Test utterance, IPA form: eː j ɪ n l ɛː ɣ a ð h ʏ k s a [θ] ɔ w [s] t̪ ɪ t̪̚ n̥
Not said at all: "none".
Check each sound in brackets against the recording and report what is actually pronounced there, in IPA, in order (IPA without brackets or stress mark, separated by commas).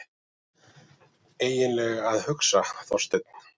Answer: θ, s